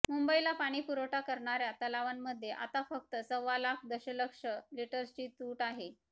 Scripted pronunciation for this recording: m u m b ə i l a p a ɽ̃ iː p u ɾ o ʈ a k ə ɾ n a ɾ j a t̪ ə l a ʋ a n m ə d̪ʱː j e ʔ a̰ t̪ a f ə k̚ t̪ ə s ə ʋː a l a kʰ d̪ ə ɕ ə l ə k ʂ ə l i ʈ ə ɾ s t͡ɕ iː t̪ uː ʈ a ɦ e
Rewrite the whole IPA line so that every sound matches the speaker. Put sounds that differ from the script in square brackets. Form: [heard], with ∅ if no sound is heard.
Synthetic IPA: m u m b ə i l a p a ɽ̃ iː p u ɾ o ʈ a k ə ɾ [ɳ] a ɾ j a t̪ ə l a ʋ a n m ə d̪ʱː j e ʔ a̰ t̪ a f ə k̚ t̪ ə s ə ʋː a l a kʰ d̪ ə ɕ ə l ə k ʂ ə l i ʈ ə ɾ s t͡ɕ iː t̪ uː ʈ a ɦ e